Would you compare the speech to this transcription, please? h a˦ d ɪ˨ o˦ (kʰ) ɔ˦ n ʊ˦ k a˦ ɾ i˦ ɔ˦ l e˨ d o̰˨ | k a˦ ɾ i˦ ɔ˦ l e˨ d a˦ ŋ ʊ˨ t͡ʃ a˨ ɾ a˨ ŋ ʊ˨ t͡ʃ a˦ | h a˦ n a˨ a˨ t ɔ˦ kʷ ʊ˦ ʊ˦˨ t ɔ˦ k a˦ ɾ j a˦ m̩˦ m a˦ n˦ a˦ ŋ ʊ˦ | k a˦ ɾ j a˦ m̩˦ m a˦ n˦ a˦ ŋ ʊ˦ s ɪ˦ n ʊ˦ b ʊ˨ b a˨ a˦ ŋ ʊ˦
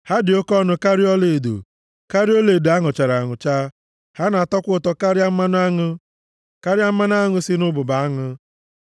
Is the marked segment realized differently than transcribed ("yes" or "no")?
yes